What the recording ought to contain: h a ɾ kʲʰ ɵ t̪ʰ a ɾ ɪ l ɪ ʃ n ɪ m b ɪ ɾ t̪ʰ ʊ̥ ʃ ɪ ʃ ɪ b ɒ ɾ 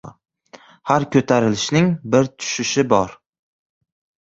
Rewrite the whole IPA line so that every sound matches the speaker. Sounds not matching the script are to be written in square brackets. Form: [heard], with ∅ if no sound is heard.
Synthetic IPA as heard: h a ɾ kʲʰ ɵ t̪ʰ a ɾ ɪ l ɪ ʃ n ɪ [ŋ] b ɪ ɾ t̪ʰ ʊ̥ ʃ ɪ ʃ ɪ b ɒ ɾ